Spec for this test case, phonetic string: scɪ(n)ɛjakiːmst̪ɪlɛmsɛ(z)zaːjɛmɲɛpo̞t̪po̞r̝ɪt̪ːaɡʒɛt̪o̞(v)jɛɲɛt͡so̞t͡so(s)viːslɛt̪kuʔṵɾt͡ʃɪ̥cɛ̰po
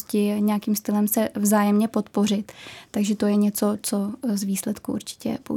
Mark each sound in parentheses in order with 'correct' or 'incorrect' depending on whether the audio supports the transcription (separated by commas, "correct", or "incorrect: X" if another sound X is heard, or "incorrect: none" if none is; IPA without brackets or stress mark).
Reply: incorrect: ɲ, incorrect: v, incorrect: none, incorrect: z